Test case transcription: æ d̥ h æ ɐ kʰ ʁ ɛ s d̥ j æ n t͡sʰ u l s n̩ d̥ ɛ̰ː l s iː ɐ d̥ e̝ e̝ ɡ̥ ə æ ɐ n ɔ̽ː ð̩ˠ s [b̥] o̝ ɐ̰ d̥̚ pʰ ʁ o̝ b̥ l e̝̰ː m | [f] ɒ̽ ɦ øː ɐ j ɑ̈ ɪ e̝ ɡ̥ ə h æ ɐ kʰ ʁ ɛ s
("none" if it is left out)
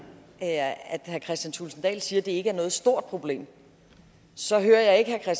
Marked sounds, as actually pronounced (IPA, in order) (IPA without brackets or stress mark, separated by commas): d̥, s